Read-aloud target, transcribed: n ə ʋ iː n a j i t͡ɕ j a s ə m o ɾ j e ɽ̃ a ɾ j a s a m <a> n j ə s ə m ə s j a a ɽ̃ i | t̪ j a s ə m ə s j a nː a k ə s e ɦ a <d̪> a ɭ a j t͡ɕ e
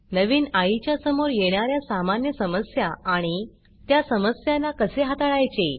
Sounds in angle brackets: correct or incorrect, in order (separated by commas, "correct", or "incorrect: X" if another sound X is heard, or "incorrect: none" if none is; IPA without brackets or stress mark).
correct, incorrect: t̪